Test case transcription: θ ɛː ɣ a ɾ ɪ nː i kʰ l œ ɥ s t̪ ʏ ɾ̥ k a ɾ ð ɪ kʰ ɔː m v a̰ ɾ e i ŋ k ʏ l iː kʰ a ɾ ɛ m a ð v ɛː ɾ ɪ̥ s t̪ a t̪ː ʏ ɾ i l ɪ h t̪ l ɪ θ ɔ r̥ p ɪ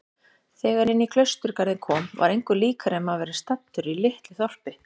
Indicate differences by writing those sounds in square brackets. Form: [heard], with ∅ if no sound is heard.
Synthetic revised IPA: θ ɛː ɣ a ɾ ɪ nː i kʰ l œ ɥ s t̪ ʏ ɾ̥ k a ɾ ð ɪ kʰ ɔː m v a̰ ɾ e [j] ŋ k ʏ l iː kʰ a ɾ ɛ m a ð v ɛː ɾ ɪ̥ s t̪ a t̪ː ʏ ɾ i l ɪ h t̪ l ɪ θ ɔ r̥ p ɪ